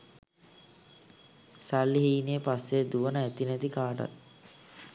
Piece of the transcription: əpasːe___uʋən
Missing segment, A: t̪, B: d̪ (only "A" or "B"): B